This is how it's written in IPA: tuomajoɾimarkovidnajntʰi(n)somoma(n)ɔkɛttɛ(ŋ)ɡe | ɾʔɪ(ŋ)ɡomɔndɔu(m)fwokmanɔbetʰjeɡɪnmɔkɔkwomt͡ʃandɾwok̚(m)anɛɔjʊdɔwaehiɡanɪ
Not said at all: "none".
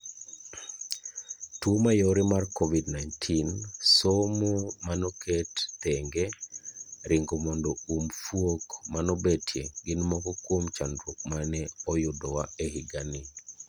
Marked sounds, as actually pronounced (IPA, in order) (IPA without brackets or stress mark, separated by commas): n, n, ŋ, ŋ, m, m